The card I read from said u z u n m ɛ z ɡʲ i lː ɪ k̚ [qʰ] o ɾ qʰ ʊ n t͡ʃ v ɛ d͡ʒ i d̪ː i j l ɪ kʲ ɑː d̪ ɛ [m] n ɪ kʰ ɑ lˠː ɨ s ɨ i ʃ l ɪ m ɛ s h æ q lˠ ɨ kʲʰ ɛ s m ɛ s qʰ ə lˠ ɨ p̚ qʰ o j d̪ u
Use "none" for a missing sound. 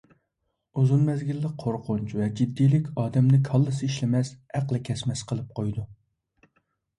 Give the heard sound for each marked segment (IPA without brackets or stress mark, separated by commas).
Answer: qʰ, m